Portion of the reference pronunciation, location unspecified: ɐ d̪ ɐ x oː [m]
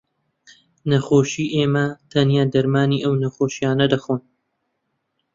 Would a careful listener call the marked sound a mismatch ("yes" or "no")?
yes